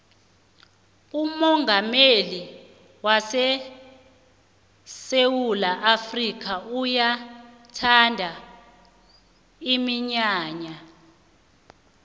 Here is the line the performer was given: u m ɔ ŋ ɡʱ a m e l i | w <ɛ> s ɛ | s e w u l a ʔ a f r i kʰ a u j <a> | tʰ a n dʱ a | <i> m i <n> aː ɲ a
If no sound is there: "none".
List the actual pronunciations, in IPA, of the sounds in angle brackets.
a, a, i, ɲ

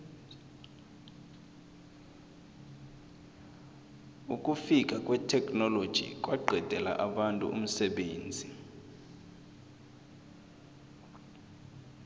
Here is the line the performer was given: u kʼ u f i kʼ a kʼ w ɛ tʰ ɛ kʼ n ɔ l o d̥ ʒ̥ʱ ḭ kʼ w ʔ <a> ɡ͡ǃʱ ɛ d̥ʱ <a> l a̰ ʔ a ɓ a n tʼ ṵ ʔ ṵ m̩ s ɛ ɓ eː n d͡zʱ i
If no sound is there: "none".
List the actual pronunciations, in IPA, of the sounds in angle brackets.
a, ɛ

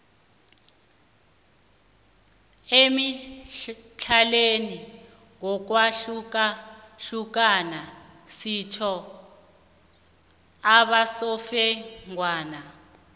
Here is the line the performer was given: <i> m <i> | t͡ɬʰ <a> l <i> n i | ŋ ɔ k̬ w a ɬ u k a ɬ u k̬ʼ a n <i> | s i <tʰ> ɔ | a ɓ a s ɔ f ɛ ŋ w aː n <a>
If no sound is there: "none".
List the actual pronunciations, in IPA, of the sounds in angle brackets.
e, i, a, e, a, tʰ, a

